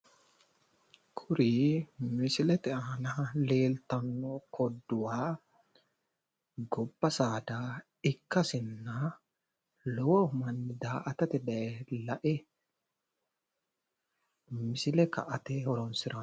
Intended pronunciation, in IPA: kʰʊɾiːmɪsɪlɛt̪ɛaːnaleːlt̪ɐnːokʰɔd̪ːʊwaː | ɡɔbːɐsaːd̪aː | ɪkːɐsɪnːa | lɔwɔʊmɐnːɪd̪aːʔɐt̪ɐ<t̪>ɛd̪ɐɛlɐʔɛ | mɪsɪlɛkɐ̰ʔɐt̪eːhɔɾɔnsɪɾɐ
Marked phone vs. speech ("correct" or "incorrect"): correct